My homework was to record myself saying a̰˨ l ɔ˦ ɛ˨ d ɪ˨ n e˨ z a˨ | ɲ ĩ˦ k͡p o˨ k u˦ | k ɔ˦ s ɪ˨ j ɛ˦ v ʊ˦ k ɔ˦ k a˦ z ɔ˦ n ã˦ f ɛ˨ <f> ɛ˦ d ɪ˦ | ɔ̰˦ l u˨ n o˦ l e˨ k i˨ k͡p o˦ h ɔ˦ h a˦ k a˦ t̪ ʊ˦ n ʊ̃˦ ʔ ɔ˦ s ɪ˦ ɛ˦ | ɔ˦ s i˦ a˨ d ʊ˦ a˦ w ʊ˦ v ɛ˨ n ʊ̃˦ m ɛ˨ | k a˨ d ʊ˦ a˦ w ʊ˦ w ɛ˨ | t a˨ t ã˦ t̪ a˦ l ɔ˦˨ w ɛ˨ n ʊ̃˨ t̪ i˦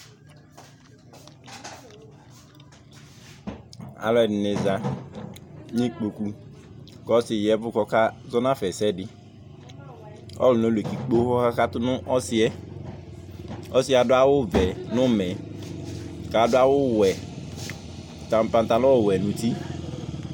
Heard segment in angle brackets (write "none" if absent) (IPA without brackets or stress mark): s